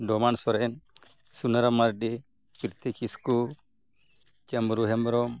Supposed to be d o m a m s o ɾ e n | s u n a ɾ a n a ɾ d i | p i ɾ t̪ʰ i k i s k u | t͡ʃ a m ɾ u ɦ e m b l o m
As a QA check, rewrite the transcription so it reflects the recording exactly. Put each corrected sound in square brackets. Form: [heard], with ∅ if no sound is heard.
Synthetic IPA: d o m a [n] s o ɾ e n | s u n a ɾ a [m] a ɾ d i | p i ɾ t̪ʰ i k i s k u | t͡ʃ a m ɾ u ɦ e m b [ɾ] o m